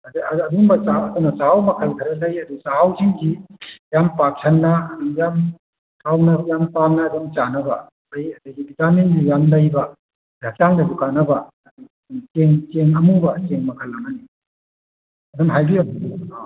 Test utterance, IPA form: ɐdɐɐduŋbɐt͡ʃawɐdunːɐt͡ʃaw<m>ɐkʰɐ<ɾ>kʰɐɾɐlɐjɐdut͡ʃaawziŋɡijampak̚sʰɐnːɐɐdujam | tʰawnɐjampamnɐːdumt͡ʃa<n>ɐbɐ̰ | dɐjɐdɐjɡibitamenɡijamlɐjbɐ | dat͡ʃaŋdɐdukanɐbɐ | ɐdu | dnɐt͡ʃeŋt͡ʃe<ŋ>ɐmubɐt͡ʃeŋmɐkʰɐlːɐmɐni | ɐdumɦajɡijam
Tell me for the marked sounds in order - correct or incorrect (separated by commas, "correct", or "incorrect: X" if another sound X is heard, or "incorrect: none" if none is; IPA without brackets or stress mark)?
correct, incorrect: l, correct, correct